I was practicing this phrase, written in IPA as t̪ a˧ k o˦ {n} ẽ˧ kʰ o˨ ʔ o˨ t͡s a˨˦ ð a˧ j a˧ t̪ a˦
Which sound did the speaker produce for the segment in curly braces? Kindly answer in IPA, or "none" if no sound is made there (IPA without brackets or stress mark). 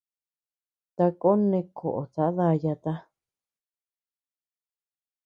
n